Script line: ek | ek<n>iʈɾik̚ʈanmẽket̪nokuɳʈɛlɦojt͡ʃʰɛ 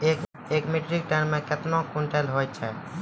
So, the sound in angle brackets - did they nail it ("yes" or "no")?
no